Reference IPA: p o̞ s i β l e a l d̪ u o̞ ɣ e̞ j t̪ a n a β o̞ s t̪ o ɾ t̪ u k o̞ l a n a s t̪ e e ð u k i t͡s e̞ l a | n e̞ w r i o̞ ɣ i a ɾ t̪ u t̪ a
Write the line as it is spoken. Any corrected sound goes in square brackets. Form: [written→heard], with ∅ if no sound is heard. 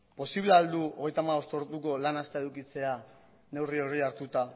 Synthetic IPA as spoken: p o̞ s i β l e a l d̪ u o̞ ɣ e̞ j t̪ a [n→m] a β o̞ s t̪ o ɾ t̪ u k o̞ l a n a s t̪ e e ð u k i t͡s e̞ [l→∅] a | n e̞ w r i o̞ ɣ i a ɾ t̪ u t̪ a